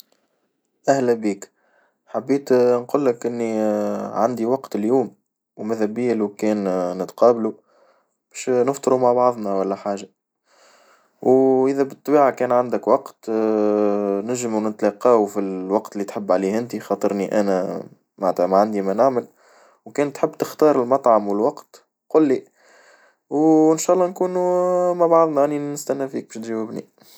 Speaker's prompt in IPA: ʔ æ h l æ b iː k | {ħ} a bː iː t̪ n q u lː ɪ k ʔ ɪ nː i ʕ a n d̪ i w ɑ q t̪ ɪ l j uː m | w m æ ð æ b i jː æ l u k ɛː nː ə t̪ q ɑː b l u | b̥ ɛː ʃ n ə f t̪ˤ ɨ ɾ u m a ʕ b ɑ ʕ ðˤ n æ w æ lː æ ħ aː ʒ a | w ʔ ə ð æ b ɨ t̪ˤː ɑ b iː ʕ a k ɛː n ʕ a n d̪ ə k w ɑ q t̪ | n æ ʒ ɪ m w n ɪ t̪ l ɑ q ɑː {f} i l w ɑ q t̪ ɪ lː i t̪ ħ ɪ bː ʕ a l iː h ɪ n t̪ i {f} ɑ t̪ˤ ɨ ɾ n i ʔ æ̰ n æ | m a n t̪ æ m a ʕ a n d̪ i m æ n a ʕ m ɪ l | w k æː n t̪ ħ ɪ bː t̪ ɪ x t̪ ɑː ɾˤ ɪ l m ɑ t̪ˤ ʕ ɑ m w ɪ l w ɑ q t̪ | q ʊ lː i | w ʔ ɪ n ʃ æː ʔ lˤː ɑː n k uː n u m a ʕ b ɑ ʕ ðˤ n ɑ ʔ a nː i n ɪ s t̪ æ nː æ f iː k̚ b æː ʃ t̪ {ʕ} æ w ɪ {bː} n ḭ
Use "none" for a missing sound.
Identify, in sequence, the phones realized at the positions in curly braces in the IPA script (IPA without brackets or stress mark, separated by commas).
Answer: ħ, f, x, ʒ, b